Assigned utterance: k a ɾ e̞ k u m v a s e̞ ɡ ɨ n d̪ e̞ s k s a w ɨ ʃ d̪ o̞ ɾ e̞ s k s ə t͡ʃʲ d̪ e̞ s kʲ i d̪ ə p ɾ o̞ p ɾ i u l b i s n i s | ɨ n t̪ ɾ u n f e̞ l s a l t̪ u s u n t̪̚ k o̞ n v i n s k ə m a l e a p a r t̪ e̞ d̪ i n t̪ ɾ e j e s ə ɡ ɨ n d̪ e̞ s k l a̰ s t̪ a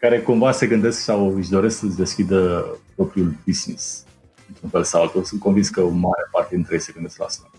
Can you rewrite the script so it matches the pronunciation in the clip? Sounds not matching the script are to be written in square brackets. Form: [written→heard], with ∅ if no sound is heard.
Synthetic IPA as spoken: k a ɾ e̞ k u m v a s e̞ ɡ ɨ n d̪ e̞ s k s a w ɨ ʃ d̪ o̞ ɾ e̞ s k s ə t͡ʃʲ d̪ e̞ s kʲ i d̪ ə p ɾ o̞ p ɾ i u l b i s n i s | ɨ n t̪ ɾ u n f e̞ l s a l t̪ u s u n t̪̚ k o̞ n v i n s k ə m a [l→ɾ] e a p a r t̪ e̞ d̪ i n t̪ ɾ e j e s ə ɡ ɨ n d̪ e̞ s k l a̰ s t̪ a